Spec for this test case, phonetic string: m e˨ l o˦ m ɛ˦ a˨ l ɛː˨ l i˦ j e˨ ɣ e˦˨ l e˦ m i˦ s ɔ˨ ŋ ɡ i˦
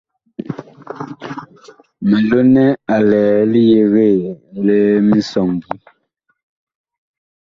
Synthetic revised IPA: m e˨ l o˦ n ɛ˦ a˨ l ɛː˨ l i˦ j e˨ ɣ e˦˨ l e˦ m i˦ s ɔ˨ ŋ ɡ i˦

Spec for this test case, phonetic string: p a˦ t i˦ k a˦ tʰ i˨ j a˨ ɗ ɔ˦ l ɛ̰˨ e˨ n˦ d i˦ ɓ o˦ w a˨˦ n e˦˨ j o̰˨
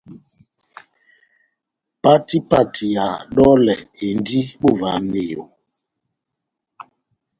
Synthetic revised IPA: p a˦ t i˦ p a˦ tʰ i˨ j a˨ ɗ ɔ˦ l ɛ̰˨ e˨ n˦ d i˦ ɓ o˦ v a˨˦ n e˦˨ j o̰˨

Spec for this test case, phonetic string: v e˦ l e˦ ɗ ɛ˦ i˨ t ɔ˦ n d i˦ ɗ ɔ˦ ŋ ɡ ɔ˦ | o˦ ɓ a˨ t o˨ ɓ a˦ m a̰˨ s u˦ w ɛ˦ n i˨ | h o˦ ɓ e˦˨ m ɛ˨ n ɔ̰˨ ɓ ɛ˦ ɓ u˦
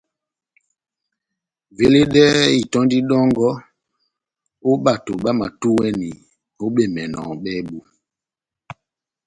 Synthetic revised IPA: v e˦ l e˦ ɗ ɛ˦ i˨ t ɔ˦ n d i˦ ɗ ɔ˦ ŋ ɡ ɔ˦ | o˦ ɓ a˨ t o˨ ɓ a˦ m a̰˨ t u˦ w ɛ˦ n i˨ | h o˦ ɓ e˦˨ m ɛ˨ n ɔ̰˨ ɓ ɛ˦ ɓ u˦

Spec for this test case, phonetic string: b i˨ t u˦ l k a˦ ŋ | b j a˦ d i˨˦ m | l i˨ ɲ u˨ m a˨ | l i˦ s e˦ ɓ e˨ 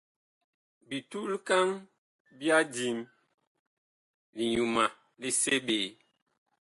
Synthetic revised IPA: b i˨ t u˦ l k a˦ ŋ | b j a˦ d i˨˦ m | l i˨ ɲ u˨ m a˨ | l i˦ s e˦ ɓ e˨

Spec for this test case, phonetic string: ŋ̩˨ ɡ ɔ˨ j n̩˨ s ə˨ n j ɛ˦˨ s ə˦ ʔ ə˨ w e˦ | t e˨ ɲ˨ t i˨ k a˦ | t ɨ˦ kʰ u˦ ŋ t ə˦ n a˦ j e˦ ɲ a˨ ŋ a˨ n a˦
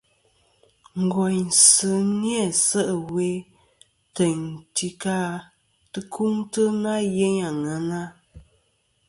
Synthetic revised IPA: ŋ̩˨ ɡ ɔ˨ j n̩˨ s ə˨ n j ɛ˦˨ s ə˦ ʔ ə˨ w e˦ | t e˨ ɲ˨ t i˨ k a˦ | t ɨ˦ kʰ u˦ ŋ t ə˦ n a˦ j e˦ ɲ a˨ ŋ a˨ n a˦

